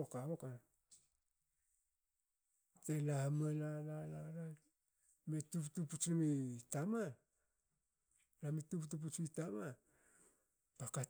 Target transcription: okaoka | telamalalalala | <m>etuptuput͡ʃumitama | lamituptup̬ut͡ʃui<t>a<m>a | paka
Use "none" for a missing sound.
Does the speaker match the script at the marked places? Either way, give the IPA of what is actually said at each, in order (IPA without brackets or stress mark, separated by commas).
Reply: m, t, m